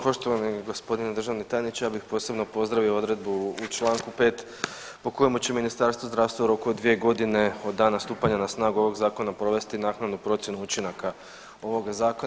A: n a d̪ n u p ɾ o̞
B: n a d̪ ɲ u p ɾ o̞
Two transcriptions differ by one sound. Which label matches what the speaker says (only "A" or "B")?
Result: A